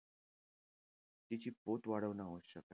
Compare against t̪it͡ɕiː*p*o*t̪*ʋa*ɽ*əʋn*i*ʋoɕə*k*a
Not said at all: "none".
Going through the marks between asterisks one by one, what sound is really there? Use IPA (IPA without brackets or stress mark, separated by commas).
p, t̪, ɽ, a, k